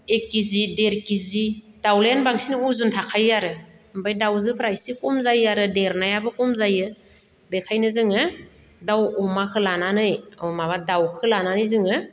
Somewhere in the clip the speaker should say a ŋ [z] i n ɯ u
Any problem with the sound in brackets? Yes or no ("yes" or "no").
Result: yes